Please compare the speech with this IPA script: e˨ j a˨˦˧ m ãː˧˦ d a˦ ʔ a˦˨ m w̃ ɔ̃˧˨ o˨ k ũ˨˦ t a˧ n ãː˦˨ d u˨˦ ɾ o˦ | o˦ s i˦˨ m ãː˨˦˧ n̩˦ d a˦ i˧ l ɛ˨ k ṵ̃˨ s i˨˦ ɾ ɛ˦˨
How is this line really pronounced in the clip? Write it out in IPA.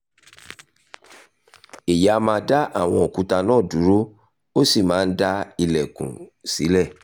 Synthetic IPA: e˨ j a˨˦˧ m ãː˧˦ d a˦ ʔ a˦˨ w̃ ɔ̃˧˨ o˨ k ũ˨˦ t a˧ n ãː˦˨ d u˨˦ ɾ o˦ | o˦ s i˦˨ m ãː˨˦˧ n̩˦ d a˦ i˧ l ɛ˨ k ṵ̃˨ s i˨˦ l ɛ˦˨